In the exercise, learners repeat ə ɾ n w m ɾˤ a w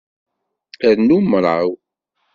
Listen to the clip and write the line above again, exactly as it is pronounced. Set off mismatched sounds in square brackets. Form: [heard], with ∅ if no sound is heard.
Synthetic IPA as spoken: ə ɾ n [u] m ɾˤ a w